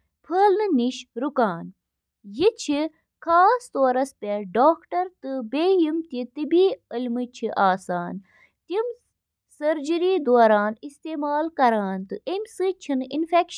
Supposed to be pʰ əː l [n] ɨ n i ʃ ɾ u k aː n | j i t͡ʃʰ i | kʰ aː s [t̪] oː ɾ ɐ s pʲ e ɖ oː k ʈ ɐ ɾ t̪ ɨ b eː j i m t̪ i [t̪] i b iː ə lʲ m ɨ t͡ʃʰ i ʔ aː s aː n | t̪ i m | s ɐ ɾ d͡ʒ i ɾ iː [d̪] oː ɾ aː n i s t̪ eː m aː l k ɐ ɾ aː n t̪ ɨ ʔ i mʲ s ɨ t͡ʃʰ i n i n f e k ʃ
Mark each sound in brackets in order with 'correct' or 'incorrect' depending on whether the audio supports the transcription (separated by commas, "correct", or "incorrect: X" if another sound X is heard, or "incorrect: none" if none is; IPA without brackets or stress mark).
correct, correct, correct, correct